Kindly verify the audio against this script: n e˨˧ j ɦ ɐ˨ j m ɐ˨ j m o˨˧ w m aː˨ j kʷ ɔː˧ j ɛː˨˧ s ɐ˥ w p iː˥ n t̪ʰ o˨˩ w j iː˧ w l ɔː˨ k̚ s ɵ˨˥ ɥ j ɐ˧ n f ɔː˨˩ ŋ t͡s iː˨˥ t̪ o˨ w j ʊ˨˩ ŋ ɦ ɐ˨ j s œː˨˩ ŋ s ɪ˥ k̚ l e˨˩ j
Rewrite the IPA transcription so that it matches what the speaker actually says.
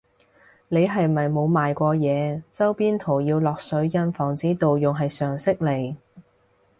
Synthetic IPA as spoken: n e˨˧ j ɦ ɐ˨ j m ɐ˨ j m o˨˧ w m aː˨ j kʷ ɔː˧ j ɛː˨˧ t͡s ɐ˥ w p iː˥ n t̪ʰ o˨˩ w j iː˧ w l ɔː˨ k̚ s ɵ˨˥ ɥ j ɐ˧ n f ɔː˨˩ ŋ t͡s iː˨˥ t̪ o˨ w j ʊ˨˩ ŋ ɦ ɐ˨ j s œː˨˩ ŋ s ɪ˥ k̚ l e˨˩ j

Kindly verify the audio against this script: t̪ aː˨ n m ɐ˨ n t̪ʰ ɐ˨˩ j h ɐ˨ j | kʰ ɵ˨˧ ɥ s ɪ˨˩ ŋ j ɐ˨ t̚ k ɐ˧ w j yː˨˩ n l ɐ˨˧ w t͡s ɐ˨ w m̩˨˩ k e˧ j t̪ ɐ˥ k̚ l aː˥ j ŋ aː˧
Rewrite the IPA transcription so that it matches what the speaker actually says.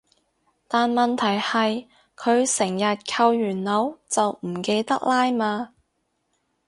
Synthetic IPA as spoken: t̪ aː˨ n m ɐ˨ n t̪ʰ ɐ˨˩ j h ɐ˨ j | kʰ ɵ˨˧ ɥ s ɪ˨˩ ŋ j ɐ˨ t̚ kʰ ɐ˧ w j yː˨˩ n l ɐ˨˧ w t͡s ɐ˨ w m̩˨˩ k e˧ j t̪ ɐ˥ k̚ l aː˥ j m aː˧

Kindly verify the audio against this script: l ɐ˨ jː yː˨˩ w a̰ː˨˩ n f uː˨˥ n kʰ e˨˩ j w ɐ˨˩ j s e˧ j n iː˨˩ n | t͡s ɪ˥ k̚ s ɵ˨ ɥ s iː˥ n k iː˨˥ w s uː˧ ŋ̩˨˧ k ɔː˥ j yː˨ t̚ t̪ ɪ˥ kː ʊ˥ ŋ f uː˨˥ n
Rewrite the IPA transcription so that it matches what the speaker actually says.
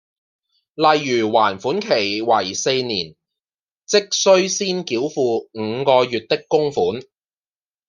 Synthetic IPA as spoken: l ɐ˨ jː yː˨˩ w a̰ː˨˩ n f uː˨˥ n kʰ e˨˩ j w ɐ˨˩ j s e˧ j n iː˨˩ n | t͡s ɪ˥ k̚ s ɵ˥ ɥ s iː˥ n k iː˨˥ w f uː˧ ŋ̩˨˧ k ɔː˧ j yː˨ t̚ t̪ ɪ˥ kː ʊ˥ ŋ f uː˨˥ n

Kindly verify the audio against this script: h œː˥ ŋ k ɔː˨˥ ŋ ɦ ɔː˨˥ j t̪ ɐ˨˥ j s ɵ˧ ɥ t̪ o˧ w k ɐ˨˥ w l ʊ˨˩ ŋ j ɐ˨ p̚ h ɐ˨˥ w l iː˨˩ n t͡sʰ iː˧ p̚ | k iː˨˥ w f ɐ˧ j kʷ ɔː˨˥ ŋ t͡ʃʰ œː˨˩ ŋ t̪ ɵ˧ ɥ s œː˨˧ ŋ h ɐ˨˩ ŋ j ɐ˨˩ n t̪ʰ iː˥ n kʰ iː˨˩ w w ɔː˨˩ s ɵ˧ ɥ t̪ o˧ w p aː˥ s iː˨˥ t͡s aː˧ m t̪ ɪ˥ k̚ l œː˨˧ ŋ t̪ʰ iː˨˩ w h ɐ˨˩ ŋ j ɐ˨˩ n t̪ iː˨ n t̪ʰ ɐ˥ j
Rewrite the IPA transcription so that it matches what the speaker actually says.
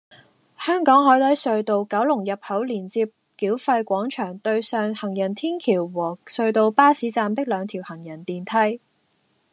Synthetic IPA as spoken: h œː˥ ŋ k ɔː˨˥ ŋ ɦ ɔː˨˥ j t̪ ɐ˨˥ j s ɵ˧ ɥ t̪ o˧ w k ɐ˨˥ w l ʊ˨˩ ŋ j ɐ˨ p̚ h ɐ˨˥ w l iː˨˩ n t͡s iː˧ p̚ | k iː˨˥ w f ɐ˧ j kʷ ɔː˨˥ ŋ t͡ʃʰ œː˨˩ ŋ t̪ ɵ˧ ɥ s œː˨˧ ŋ h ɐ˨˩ ŋ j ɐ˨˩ n t̪ʰ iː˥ n kʰ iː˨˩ w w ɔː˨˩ s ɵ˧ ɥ t̪ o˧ w p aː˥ s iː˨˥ t͡s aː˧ m t̪ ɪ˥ k̚ l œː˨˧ ŋ t̪ʰ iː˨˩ w h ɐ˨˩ ŋ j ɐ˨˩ n t̪ iː˨ n t̪ʰ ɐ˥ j

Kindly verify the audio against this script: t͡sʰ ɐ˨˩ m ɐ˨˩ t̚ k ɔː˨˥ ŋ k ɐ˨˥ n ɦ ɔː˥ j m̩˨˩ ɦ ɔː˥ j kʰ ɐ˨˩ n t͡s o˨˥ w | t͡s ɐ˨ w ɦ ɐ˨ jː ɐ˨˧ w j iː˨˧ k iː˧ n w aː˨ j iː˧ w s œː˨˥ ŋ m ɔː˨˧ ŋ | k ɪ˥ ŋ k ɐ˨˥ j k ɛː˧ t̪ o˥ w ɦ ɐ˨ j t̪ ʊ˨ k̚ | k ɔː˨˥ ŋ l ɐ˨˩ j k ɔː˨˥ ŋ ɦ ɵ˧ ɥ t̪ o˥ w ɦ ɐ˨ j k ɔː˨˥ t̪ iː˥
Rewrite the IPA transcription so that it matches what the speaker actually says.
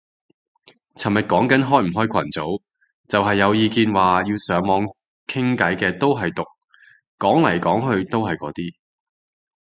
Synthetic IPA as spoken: t͡sʰ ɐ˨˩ m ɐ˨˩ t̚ k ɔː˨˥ ŋ k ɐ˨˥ n ɦ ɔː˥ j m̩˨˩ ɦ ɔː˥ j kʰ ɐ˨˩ n t͡s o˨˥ w | t͡s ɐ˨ w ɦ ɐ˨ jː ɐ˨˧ w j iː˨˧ k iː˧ n w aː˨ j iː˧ w s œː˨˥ ŋ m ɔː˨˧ ŋ | kʰ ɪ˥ ŋ k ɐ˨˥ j k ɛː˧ t̪ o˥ w ɦ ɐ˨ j t̪ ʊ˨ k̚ | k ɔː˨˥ ŋ l ɐ˨˩ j k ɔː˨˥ ŋ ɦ ɵ˧ ɥ t̪ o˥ w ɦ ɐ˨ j k ɔː˨˥ t̪ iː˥

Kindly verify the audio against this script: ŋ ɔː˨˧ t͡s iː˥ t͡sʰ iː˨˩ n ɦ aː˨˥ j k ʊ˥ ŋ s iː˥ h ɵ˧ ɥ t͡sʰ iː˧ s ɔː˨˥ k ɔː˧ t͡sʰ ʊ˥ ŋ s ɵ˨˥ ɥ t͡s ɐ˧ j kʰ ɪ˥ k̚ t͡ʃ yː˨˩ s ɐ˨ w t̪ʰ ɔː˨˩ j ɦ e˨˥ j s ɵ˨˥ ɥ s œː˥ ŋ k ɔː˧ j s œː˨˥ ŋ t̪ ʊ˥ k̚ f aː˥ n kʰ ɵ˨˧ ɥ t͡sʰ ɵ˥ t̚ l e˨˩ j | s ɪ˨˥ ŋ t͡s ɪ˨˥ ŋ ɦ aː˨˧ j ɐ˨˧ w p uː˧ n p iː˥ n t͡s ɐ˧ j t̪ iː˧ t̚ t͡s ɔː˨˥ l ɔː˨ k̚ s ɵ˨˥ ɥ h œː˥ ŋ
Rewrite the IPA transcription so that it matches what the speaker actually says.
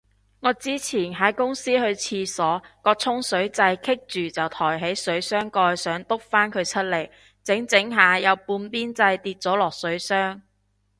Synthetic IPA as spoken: ŋ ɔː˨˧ t͡s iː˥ t͡sʰ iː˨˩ n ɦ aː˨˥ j k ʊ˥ ŋ s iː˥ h ɵ˧ ɥ t͡sʰ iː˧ s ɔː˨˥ k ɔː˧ t͡sʰ ʊ˥ ŋ s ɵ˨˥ ɥ t͡s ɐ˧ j kʰ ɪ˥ k̚ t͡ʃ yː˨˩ t͡s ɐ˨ w t̪ʰ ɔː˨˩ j ɦ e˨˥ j s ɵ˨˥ ɥ s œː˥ ŋ k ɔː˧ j s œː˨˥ ŋ t̪ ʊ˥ k̚ f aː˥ n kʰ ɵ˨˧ ɥ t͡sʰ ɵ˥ t̚ l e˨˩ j | t͡s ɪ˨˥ ŋ t͡s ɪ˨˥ ŋ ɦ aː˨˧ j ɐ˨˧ w p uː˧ n p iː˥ n t͡s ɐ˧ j t̪ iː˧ t̚ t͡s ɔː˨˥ l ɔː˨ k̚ s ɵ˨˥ ɥ s œː˥ ŋ

